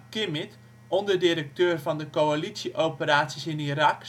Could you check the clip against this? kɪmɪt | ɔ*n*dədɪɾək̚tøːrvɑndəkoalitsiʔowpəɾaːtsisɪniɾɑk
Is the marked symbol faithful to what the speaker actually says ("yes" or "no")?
yes